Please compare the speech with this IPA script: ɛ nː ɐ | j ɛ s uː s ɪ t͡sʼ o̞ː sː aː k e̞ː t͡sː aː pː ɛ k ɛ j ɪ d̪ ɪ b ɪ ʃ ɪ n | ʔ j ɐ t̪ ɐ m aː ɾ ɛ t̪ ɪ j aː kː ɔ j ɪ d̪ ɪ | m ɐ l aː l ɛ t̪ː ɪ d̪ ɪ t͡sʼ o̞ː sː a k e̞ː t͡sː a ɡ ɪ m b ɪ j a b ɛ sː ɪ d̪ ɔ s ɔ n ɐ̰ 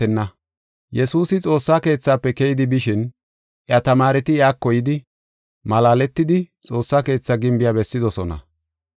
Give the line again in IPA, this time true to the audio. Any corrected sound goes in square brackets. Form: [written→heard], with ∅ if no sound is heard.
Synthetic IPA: ɛ nː ɐ | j ɛ s uː s ɪ t͡sʼ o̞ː sː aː k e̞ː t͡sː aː pː ɛ k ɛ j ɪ d̪ ɪ b ɪ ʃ ɪ n | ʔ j ɐ t̪ ɐ m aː ɾ ɛ t̪ ɪ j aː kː ɔ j ɪ d̪ ɪ | m ɐ l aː l ɛ t̪ː ɪ d̪ ɪ t͡sʼ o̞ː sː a k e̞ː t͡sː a ɡ ɪ m b ɪ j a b ɛ sː ɪ d̪ ɔ s ɔ n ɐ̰

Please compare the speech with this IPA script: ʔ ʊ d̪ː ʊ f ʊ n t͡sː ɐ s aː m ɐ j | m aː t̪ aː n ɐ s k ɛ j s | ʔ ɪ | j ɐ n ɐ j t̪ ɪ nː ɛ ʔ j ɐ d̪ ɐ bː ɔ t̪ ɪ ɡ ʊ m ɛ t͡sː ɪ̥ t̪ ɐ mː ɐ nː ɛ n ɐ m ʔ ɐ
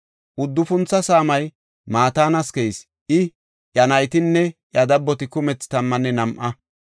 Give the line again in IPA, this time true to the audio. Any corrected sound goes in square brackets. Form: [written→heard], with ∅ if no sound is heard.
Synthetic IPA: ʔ ʊ d̪ː ʊ f ʊ n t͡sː ɐ s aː m ɐ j | m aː t̪ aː n ɐ s k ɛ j s | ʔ ɪ | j ɐ n ɐ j t̪ ɪ nː ɛ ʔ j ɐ d̪ ɐ bː ɔ t̪ ɪ [ɡ→k] ʊ m ɛ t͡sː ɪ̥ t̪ ɐ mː ɐ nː ɛ n ɐ m ʔ ɐ

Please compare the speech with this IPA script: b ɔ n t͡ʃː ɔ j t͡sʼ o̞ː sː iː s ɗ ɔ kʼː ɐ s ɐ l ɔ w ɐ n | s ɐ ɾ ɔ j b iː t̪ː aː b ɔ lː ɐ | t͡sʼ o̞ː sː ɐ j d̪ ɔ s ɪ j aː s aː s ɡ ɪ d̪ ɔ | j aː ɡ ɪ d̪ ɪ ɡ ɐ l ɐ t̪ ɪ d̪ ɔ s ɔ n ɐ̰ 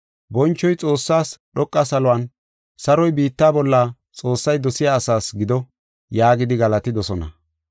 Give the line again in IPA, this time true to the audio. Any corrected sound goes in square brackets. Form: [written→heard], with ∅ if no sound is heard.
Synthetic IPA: b ɔ n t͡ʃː ɔ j t͡sʼ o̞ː sː [iː→aː] s ɗ ɔ kʼː ɐ s ɐ l ɔ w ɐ n | s ɐ ɾ ɔ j b iː t̪ː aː b ɔ lː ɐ | t͡sʼ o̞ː sː ɐ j d̪ ɔ s ɪ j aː s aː s ɡ ɪ d̪ ɔ | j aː ɡ ɪ d̪ ɪ ɡ ɐ l ɐ t̪ ɪ d̪ ɔ s ɔ n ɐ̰

